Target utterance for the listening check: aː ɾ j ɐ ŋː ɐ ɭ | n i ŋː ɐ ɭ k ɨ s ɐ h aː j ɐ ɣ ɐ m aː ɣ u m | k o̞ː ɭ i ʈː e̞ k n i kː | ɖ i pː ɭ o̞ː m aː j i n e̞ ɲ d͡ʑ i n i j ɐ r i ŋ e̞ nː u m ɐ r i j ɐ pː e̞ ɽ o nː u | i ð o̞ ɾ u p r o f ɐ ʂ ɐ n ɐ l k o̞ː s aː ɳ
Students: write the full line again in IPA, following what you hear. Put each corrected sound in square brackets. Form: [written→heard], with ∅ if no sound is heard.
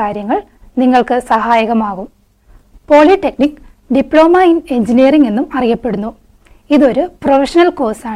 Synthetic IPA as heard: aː ɾ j ɐ ŋː ɐ ɭ | n i ŋː ɐ ɭ k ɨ s ɐ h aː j ɐ ɣ ɐ m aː ɣ u m | [k→p] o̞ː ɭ i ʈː e̞ k n i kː | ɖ i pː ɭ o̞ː m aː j i n e̞ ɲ d͡ʑ i n i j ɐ r i ŋ e̞ nː u m ɐ r i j ɐ pː e̞ ɽ [o→u] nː u | i ð o̞ ɾ u p r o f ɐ ʂ ɐ n ɐ l k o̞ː s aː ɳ